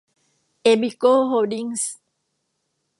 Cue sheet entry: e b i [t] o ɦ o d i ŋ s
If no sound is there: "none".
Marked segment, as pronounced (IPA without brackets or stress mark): k